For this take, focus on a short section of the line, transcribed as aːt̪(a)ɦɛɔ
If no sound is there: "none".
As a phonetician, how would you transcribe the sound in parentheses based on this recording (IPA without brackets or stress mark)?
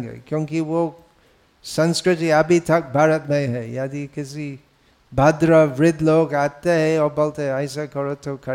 e